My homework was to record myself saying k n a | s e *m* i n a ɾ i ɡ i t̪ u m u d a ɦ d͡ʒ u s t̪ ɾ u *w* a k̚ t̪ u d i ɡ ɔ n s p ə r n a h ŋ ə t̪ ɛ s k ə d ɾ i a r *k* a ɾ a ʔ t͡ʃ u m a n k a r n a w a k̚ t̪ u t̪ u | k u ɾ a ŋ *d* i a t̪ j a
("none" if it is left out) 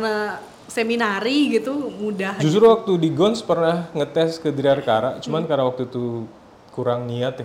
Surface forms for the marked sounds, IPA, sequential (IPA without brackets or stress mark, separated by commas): m, w, k, n